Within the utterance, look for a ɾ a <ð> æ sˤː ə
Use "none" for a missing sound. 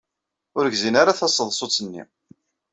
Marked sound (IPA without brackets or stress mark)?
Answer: θ